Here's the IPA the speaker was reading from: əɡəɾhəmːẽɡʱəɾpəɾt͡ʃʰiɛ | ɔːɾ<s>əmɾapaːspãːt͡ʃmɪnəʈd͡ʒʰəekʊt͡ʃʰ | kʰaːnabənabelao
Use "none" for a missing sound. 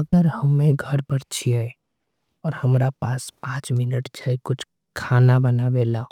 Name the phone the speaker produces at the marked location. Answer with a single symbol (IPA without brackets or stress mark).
h